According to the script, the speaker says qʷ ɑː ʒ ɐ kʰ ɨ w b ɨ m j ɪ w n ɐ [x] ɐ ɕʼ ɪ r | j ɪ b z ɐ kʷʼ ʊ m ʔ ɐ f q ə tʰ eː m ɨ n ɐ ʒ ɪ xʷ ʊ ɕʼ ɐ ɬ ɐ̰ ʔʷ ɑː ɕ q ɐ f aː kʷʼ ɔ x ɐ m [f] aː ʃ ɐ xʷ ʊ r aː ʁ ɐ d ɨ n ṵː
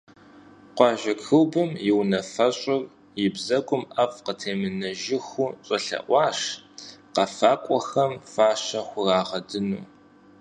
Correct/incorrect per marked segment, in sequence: incorrect: f, correct

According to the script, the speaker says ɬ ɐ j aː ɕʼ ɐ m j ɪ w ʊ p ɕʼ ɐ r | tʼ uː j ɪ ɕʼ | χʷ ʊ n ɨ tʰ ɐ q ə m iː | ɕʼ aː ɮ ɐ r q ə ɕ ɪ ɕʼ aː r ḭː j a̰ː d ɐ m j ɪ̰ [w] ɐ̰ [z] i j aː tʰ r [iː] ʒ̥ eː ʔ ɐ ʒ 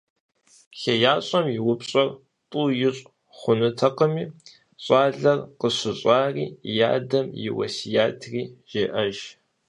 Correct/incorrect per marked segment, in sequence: correct, incorrect: s, correct

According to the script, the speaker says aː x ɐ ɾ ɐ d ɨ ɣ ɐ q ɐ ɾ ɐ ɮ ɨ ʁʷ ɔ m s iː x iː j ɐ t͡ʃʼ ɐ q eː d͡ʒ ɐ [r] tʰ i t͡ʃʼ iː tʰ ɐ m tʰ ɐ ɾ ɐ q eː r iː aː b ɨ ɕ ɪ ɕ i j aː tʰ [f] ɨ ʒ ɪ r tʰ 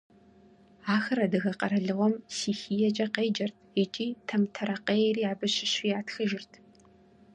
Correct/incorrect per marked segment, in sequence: correct, incorrect: x

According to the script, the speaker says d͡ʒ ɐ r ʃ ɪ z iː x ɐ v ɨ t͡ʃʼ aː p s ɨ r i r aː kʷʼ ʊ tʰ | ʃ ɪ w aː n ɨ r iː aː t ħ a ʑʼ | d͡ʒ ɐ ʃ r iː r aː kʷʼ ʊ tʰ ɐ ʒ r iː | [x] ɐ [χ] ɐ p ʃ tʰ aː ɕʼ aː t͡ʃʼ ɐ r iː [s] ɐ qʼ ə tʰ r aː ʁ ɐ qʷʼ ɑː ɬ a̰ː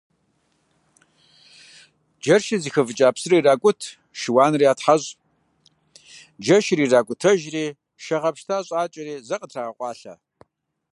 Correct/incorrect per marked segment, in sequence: incorrect: ʃ, incorrect: ʁ, incorrect: z

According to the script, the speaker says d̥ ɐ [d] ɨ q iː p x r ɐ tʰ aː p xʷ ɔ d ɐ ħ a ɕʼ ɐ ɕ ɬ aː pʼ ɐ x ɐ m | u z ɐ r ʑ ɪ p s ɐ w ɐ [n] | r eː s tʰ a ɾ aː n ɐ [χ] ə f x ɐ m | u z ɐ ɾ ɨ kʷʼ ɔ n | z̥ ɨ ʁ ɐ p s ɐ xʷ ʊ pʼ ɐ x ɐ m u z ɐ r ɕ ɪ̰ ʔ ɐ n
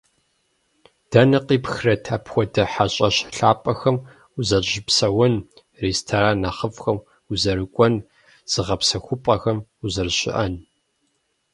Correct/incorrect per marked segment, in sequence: incorrect: n, correct, correct

